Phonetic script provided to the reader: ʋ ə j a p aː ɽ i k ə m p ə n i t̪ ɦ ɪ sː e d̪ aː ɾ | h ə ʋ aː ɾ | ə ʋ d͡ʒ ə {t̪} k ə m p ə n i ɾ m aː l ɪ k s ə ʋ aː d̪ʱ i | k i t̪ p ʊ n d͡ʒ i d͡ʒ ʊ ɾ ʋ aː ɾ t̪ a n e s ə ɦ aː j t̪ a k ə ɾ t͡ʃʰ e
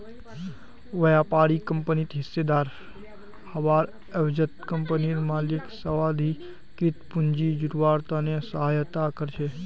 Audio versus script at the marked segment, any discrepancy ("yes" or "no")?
no